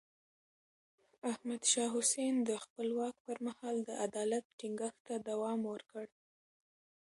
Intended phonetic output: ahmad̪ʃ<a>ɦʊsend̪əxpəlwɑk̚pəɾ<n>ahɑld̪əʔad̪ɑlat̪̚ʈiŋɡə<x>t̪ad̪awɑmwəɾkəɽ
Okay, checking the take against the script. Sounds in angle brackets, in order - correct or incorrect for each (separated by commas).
incorrect, incorrect, correct